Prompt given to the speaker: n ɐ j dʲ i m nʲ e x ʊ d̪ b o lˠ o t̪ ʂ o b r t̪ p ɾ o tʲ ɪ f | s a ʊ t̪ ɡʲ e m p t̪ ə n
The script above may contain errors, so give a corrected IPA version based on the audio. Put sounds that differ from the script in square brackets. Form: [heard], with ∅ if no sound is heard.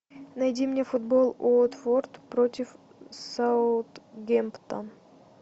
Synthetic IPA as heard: n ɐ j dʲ i m nʲ e [f] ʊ d̪ b o lˠ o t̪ [f] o [∅] r t̪ p ɾ o tʲ ɪ f | s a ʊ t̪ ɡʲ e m p t̪ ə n

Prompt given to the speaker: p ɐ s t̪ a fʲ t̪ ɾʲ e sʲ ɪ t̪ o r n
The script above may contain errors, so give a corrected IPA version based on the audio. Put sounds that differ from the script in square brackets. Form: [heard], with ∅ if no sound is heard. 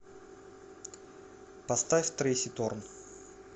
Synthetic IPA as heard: p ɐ s t̪ a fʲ t̪ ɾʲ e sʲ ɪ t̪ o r n

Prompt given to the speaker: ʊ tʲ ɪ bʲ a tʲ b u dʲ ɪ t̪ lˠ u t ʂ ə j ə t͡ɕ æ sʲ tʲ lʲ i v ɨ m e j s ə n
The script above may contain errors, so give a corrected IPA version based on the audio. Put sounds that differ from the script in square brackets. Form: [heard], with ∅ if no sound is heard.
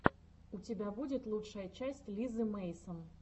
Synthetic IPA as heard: ʊ tʲ ɪ bʲ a [∅] b u dʲ ɪ t̪ lˠ u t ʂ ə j ə t͡ɕ æ sʲ tʲ lʲ i [z] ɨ m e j s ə n

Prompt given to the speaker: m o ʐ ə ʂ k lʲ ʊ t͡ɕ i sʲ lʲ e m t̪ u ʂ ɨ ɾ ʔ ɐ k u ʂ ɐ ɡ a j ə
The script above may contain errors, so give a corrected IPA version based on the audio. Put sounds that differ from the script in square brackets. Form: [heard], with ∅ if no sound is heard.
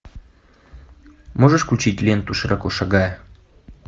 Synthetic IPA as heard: m o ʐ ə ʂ k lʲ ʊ t͡ɕ i [tʲ] lʲ e [n] t̪ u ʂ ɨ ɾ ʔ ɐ k [o] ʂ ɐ ɡ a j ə

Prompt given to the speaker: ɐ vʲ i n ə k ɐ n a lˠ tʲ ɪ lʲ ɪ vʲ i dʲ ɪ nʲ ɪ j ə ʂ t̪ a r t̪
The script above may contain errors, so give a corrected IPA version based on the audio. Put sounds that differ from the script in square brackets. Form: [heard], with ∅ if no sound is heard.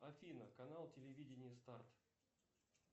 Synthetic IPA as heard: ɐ [fʲ] i n ə k ɐ n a lˠ tʲ ɪ lʲ ɪ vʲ i dʲ ɪ nʲ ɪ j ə [s] t̪ a r t̪

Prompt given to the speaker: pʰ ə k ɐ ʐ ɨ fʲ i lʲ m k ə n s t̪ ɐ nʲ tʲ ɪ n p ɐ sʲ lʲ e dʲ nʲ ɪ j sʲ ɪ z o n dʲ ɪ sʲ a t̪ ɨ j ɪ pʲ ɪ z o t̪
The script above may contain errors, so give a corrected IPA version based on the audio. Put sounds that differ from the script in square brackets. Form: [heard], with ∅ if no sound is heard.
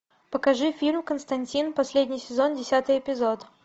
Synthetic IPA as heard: [p] ə k ɐ ʐ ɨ fʲ i lʲ m k ə n s t̪ ɐ nʲ tʲ [i] n p ɐ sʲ lʲ e dʲ nʲ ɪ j sʲ ɪ z o n dʲ ɪ sʲ a t̪ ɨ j ɪ pʲ ɪ z o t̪

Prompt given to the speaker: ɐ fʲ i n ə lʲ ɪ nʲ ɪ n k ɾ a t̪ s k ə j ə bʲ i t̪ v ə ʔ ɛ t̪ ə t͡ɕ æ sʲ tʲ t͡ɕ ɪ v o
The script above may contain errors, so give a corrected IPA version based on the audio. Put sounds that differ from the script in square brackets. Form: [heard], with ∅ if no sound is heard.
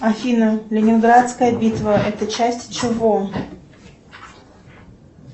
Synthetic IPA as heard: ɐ fʲ i n ə lʲ ɪ nʲ ɪ n [ɡ] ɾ a t̪ s k ə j ə bʲ i t̪ v ə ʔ ɛ t̪ ə t͡ɕ æ sʲ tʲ t͡ɕ ɪ v o

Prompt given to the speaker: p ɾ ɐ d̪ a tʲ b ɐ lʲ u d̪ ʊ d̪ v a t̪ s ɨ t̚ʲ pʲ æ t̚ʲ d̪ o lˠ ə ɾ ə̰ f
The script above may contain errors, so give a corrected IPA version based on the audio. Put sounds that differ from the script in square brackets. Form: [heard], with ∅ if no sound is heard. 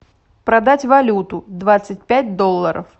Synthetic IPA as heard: p ɾ ɐ d̪ a tʲ [v] ɐ lʲ u [t̪] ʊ d̪ v a t̪ s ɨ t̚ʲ pʲ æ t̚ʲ d̪ o [lˠː] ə ɾ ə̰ f

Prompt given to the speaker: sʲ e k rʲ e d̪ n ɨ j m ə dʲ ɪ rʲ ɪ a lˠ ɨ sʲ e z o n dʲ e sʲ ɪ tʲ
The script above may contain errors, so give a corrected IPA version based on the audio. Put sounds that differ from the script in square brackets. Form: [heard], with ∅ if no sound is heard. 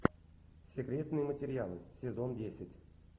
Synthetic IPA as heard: sʲ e k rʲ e [t̪] n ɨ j m ə [tʲ] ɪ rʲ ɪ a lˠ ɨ sʲ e z o n dʲ e sʲ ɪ tʲ

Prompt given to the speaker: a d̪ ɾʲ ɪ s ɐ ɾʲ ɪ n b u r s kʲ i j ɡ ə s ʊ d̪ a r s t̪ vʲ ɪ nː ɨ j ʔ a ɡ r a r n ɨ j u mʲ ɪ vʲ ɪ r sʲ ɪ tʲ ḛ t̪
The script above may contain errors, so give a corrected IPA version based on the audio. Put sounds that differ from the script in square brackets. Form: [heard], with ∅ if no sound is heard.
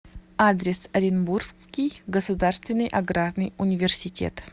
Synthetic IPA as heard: a d̪ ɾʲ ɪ s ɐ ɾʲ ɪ n b u r s kʲ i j ɡ ə s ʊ d̪ a r s t̪ vʲ ɪ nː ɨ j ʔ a ɡ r a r n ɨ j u [nʲ] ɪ vʲ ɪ r sʲ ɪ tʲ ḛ t̪

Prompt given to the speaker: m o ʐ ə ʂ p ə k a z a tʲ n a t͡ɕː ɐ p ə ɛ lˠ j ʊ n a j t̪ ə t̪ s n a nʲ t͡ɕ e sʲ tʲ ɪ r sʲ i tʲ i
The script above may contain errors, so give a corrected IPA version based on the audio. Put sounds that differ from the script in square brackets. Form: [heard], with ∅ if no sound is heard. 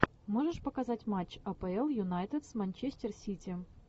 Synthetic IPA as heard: m o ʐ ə ʂ p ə k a z a tʲ [m] a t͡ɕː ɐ p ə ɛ lˠ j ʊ n a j t̪ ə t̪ s [m] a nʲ t͡ɕ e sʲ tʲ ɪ r sʲ i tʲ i

